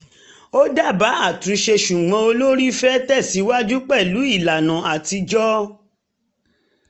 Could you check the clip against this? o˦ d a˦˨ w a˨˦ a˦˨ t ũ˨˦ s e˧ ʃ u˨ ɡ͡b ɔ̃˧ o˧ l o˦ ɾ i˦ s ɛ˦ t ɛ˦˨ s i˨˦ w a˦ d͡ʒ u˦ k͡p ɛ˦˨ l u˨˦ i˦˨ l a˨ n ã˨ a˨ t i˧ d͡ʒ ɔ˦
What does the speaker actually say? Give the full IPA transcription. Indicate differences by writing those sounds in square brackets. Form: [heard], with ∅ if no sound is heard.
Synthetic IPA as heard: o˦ d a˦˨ [b] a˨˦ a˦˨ t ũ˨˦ [ʃ] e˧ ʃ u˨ ɡ͡b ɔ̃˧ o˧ l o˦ ɾ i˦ [f] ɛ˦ t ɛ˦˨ s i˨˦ w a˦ d͡ʒ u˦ k͡p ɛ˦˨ l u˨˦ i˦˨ l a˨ n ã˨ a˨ t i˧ d͡ʒ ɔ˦